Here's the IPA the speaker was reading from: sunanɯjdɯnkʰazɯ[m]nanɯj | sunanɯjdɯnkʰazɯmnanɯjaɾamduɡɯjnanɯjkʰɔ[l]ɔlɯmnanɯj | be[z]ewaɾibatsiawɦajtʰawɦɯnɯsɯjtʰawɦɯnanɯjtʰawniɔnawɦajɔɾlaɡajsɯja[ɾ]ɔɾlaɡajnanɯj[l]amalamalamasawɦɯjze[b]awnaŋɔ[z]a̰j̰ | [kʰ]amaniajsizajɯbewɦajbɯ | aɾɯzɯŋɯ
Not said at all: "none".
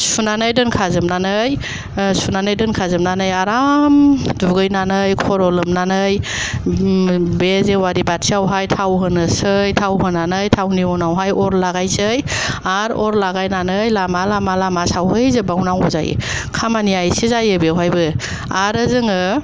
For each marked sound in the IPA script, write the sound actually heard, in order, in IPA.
m, ɾ, z, ɾ, l, b, z, kʰ

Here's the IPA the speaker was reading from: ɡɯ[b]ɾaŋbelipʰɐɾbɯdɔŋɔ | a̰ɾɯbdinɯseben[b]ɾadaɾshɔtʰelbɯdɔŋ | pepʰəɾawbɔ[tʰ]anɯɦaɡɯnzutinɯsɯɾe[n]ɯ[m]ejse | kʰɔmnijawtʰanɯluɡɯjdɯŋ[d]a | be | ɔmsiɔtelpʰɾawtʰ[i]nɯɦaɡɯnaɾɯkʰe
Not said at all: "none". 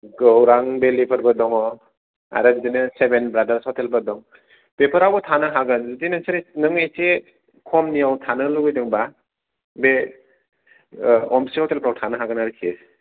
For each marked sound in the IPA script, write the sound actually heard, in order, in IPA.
w, b, tʰ, n, ŋ, b, a

